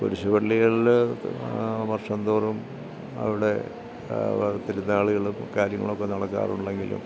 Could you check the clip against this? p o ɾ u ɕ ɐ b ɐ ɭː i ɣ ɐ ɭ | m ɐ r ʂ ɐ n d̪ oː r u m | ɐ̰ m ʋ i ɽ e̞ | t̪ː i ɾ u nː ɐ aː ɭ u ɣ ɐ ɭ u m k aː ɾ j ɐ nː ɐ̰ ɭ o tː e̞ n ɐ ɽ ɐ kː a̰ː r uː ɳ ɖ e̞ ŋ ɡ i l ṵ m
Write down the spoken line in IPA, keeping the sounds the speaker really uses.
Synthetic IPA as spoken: p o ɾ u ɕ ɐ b ɐ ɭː i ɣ ɐ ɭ | m ɐ r ʂ ɐ n d̪ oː r u m | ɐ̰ ʋ i ɽ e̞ | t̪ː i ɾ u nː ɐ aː ɭ u ɣ ɐ ɭ u m k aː ɾ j ɐ ŋː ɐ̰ ɭ o kː e̞ n ɐ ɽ ɐ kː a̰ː r u ɳ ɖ e̞ ŋ ɡ i l ṵ m